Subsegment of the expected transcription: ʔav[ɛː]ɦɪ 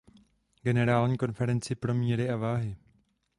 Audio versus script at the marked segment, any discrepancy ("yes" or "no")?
yes